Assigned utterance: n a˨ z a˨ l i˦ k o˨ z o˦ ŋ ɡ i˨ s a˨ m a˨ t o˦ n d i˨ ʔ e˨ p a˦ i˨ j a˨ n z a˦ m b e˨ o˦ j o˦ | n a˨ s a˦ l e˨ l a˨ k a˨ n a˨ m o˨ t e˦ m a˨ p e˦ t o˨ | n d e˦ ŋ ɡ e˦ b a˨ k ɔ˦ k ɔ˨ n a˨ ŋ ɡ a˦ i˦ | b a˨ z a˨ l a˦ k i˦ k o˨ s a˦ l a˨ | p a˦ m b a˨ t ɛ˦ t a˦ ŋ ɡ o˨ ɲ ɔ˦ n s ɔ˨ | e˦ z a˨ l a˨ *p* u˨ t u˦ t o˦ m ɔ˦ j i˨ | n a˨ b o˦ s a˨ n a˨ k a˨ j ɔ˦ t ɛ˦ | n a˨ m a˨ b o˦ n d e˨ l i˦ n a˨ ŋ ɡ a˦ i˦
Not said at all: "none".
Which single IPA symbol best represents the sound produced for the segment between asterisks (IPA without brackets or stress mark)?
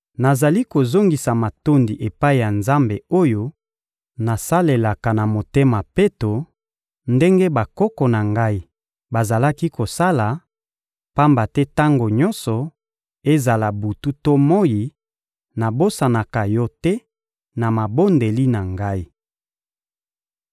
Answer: b